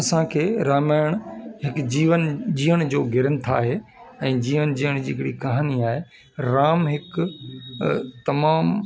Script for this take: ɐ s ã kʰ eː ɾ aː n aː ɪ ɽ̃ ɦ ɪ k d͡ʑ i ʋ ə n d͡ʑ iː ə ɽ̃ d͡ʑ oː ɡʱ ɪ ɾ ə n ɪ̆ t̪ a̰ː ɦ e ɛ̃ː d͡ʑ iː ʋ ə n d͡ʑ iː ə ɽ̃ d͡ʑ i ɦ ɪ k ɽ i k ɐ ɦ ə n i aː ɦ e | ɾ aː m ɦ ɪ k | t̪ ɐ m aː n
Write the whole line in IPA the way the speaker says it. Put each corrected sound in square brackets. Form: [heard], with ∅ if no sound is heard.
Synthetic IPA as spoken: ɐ s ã kʰ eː ɾ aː [m] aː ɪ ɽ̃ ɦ ɪ k d͡ʑ [iː] ʋ ə n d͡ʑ iː ə ɽ̃ d͡ʑ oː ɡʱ ɪ ɾ ə n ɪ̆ [t̪ʰ] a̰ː ɦ e ɛ̃ː d͡ʑ iː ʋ ə n d͡ʑ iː ə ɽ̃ d͡ʑ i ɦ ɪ k ɽ i k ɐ ɦ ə n i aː ɦ e | ɾ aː m ɦ ɪ k | t̪ ɐ m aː [m]